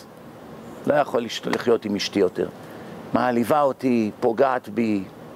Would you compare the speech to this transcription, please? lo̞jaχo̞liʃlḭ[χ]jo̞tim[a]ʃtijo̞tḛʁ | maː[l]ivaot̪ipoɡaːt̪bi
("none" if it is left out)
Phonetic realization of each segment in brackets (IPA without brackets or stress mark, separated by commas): χ, i, l